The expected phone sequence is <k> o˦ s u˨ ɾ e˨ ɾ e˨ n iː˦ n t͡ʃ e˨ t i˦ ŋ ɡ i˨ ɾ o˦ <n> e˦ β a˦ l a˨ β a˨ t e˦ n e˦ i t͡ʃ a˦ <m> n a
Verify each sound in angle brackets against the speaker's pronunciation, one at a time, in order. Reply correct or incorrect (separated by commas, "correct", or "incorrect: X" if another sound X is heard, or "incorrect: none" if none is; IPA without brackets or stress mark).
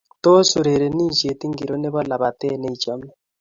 incorrect: t, correct, correct